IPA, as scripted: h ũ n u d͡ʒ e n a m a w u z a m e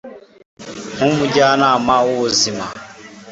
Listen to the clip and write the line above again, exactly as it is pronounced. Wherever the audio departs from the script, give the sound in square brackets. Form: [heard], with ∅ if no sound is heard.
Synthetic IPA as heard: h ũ [m] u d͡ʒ [a] n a m a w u z [i] m [a]